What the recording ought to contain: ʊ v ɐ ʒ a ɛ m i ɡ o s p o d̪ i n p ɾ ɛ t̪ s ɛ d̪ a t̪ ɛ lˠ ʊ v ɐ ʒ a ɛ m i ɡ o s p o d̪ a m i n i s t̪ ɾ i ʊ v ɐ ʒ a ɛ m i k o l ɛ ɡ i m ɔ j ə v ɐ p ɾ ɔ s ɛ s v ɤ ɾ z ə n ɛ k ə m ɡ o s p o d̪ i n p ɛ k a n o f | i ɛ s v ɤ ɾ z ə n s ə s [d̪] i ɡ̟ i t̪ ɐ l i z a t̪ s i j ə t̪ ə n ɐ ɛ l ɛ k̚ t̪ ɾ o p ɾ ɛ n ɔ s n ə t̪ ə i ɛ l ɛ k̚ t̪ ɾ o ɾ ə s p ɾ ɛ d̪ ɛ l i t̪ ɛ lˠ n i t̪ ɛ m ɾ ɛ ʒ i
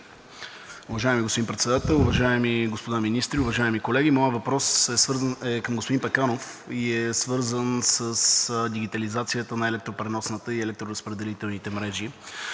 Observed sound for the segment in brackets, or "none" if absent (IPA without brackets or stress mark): d̪